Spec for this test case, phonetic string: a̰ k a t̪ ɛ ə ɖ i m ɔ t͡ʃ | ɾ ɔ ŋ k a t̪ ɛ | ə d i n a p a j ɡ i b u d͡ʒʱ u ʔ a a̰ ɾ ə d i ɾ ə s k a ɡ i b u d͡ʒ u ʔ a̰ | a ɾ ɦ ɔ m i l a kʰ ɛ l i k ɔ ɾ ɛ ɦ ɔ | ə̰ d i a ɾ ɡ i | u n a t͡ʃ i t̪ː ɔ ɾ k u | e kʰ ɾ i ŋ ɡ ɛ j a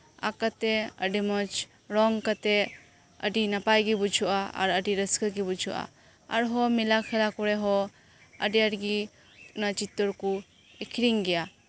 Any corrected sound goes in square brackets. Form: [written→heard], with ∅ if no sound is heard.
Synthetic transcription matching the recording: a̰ k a t̪ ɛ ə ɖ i m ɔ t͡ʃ | ɾ ɔ ŋ k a t̪ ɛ | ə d i n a p a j ɡ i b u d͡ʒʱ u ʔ a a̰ ɾ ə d i ɾ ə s k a ɡ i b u d͡ʒ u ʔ a̰ | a ɾ ɦ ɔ m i l a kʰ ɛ l [i→a] k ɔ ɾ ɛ ɦ ɔ | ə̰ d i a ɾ ɡ i | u n a t͡ʃ i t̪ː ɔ ɾ k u | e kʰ ɾ i ŋ ɡ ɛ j a